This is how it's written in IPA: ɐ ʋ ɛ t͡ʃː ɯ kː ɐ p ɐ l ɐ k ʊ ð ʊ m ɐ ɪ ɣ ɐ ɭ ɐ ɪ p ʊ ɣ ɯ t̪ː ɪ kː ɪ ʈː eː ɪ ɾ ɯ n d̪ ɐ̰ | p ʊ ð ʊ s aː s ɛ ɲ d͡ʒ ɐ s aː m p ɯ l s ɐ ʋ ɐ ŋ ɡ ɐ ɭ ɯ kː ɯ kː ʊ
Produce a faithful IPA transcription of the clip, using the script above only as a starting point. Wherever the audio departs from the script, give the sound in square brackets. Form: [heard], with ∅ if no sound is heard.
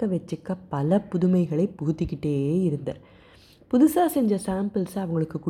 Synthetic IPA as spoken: ɐ ʋ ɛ t͡ʃː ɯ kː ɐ p ɐ l ɐ [p] ʊ ð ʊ m ɐ ɪ ɣ ɐ ɭ ɐ ɪ p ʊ ɣ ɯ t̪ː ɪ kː ɪ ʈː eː ɪ ɾ ɯ n d̪ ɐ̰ | p ʊ ð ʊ s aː s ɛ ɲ d͡ʒ ɐ s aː m p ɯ l s ɐ ʋ ɐ ŋ ɡ ɐ ɭ ɯ kː ɯ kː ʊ